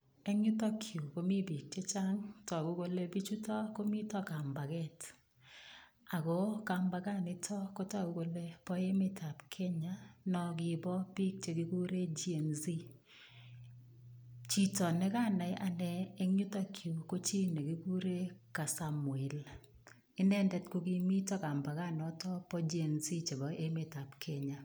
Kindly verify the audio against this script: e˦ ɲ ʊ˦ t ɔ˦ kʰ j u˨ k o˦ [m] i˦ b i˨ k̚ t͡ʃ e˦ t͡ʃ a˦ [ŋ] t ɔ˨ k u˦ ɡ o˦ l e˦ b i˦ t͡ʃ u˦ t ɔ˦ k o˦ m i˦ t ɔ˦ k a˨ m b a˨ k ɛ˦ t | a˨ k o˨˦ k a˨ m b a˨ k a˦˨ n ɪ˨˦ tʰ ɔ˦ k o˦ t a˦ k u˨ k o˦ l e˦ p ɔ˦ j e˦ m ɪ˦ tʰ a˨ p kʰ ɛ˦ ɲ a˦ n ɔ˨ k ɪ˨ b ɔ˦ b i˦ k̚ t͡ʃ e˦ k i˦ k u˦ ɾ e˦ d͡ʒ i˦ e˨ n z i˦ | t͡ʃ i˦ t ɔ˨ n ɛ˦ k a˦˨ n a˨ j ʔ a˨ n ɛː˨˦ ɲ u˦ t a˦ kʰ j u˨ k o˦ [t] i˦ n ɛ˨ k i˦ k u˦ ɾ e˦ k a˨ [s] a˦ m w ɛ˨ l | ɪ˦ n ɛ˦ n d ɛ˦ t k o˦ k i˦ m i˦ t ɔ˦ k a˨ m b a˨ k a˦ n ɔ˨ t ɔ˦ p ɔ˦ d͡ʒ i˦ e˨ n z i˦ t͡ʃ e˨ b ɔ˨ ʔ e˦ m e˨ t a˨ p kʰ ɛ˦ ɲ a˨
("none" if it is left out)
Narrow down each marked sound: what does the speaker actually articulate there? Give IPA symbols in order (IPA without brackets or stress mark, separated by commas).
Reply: m, ŋ, t͡ʃ, s